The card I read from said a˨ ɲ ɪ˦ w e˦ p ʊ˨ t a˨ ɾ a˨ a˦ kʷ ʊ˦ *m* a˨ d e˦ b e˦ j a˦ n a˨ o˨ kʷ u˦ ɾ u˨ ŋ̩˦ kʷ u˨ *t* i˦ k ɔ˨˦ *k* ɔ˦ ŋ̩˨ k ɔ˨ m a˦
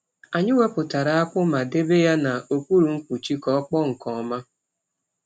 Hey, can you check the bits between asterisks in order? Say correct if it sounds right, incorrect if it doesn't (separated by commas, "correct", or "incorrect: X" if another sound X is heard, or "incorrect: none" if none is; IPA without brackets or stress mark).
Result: correct, incorrect: t͡ʃ, incorrect: k͡p